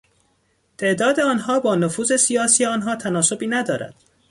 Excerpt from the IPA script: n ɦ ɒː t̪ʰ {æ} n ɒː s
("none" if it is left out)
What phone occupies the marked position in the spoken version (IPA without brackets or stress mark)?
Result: æ